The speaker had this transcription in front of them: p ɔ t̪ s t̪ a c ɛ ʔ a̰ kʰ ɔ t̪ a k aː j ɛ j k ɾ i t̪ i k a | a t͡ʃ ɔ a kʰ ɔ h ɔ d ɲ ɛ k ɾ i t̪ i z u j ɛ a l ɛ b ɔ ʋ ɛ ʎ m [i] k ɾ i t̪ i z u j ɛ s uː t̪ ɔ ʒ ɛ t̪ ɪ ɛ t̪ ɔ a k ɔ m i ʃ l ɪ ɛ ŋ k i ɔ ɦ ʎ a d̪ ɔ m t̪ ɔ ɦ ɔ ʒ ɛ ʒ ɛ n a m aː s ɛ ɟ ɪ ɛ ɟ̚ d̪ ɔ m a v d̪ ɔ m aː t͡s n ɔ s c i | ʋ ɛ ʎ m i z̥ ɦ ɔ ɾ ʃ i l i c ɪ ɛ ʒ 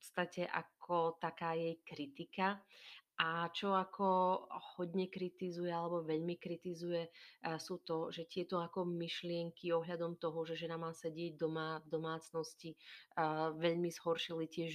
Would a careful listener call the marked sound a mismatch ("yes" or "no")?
no